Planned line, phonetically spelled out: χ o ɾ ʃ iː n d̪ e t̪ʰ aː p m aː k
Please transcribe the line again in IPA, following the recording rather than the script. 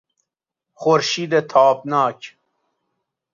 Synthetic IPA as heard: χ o ɾ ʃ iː d̪ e t̪ʰ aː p n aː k